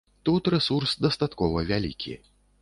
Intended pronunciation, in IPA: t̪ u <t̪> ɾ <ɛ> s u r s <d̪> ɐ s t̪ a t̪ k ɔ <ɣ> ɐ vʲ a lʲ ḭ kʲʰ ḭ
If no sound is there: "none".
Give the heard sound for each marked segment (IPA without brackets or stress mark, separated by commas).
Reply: t̪, ɛ, d̪, v